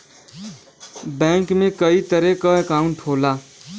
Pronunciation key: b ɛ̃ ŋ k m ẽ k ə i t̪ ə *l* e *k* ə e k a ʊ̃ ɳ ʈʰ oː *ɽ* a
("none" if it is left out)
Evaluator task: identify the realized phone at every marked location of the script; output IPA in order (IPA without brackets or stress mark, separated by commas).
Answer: ɾ, k, l